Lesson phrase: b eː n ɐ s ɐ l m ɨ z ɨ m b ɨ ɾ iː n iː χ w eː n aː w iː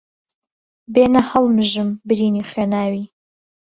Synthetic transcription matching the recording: b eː n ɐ h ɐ l m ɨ ʒ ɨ m b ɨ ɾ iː n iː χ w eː n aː w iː

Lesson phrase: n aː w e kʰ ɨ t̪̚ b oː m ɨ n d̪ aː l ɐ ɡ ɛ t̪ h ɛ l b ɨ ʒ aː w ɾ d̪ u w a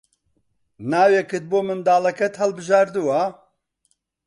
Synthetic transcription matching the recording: n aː w e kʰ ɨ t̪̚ b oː m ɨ n d̪ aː l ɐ k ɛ t̪ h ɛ l b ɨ ʒ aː ɾ d̪ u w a

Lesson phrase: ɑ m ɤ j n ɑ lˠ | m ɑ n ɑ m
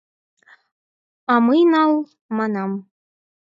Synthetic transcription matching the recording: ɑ m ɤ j n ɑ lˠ | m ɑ n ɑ m

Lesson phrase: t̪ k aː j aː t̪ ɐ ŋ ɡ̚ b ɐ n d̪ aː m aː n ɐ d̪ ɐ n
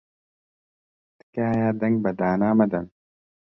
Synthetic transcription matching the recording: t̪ k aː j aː d̪ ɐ ŋ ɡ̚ b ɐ d̪ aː n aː m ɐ d̪ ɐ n

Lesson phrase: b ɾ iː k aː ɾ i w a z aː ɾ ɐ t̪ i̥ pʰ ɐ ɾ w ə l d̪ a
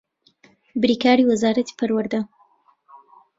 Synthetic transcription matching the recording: b ɾ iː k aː ɾ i w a z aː ɾ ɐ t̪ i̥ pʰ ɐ ɾ w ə ɾ d̪ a

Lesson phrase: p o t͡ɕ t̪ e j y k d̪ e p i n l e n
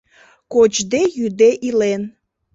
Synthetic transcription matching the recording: k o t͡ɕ d̪ e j y d̪ e ʔ i l e n

